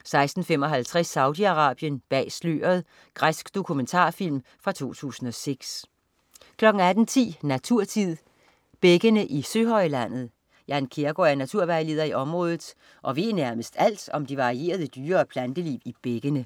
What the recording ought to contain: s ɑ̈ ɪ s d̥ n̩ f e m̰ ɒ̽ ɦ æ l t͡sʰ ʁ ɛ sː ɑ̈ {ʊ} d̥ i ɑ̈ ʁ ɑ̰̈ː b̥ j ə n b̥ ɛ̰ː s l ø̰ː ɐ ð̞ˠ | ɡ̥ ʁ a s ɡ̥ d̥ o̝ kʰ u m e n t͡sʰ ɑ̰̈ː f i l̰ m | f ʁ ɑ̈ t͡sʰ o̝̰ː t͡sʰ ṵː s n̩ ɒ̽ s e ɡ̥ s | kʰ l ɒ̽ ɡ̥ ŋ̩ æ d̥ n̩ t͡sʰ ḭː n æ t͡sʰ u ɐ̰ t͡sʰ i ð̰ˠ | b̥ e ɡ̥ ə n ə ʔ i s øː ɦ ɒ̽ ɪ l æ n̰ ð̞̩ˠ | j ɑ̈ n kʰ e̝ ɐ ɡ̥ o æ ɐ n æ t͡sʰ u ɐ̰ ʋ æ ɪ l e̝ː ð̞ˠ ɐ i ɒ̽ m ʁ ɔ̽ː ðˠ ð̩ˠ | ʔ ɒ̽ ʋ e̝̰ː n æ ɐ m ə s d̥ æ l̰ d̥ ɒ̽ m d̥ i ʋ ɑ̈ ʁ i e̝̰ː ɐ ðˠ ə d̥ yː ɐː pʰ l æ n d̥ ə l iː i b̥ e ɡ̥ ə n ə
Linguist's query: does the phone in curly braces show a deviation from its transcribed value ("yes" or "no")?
no